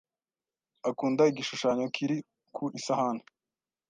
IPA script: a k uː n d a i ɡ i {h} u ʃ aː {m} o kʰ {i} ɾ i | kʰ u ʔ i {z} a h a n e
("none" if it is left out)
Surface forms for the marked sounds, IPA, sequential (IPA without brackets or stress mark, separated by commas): ʃ, ɲ, i, s